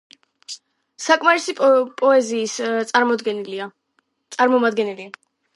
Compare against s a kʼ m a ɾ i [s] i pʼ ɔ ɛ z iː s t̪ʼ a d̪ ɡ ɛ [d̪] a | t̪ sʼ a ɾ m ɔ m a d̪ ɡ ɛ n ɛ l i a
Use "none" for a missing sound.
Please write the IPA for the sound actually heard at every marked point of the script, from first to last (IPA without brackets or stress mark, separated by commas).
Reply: s, none